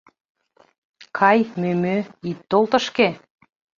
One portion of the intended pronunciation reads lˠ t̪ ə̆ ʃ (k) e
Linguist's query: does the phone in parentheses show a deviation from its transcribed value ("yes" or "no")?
no